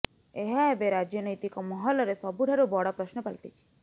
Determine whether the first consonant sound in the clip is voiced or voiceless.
voiced